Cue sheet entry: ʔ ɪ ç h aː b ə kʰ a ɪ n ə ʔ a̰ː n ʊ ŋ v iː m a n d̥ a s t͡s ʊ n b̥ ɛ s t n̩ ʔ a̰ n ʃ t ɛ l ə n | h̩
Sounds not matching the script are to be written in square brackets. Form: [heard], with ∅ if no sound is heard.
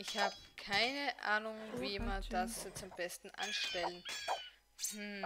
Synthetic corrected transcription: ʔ ɪ ç h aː b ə kʰ a ɪ n ə ʔ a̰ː n ʊ ŋ v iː m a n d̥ a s t͡s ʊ [m] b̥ ɛ s t n̩ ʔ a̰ n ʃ t ɛ l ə n | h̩